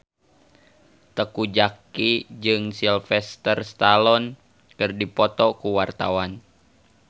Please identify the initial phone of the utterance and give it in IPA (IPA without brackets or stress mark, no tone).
t̪